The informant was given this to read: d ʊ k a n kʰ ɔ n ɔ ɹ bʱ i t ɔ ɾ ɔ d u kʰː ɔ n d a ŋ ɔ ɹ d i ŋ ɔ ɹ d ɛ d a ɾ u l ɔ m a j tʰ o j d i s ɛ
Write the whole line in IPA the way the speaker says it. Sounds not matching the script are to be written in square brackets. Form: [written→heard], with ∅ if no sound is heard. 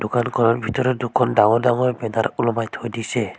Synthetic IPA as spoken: d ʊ k a n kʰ ɔ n ɔ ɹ bʱ i t ɔ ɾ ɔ d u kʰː ɔ n d a ŋ ɔ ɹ d [i→a] ŋ ɔ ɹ [d→b] ɛ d a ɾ u l ɔ m a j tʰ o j d i s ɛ